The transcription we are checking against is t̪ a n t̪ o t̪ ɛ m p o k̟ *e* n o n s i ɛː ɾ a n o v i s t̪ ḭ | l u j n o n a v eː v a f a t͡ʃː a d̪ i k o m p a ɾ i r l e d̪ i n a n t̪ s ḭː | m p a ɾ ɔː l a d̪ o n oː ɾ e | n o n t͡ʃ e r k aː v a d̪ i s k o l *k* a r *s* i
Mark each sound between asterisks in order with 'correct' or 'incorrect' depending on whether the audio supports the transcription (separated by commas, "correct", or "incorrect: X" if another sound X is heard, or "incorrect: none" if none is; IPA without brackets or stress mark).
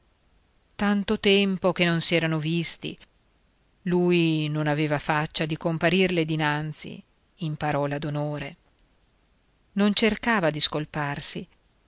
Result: correct, incorrect: p, correct